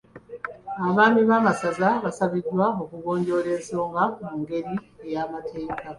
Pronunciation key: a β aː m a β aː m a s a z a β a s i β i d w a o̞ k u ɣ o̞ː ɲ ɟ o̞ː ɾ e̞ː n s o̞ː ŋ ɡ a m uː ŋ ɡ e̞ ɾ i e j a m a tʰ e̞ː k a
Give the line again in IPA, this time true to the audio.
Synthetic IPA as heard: a β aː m i β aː m a s a z a β a s a β i d w a o̞ k u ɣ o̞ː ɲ ɟ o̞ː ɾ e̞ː n s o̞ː ŋ ɡ a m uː ŋ ɡ e̞ ɾ i e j a m a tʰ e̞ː k a